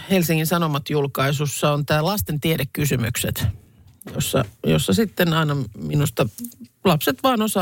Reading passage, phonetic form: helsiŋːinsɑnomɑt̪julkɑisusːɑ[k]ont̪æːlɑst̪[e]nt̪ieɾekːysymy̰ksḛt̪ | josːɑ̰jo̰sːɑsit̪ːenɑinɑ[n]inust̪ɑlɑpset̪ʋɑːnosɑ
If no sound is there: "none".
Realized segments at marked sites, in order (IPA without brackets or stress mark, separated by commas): none, e, m